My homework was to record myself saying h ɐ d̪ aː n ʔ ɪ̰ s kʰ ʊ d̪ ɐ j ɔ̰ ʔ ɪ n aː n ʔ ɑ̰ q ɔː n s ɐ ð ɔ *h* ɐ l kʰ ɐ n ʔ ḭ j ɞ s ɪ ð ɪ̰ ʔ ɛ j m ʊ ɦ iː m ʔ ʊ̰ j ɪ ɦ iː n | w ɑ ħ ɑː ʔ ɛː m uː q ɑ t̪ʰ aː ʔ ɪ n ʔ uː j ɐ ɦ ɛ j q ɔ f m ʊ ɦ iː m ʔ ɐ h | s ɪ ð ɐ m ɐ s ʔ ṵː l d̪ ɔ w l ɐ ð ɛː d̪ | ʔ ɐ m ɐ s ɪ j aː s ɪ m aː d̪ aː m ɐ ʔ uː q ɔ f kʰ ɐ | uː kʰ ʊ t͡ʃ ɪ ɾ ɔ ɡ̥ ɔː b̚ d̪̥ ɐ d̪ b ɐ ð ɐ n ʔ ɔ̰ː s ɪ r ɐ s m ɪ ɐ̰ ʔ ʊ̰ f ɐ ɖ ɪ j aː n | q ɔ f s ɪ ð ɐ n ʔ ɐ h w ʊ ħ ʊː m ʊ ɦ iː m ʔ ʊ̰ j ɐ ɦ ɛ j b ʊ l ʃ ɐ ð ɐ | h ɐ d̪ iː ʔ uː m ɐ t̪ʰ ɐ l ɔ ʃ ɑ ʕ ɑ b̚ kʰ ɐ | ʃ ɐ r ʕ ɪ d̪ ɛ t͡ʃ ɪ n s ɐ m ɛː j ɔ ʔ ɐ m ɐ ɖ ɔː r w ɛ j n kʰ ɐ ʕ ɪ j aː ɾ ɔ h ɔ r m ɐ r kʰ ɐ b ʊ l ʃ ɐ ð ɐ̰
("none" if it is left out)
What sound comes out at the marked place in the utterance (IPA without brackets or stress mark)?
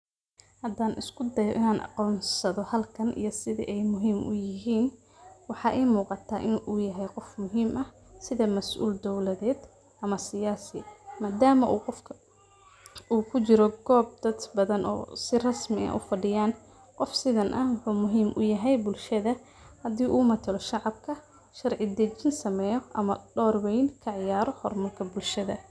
h